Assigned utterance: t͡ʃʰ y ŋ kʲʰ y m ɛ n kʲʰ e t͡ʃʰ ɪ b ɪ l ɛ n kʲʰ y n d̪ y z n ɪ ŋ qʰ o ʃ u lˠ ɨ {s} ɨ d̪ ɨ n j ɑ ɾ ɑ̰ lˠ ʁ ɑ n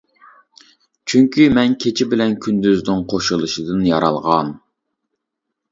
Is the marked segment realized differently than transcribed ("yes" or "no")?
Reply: yes